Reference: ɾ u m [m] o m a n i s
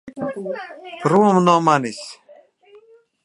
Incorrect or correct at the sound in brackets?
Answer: incorrect: n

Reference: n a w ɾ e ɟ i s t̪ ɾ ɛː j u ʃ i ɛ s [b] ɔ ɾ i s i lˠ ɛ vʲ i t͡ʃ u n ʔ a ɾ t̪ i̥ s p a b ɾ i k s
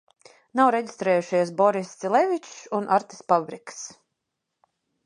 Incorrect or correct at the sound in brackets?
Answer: correct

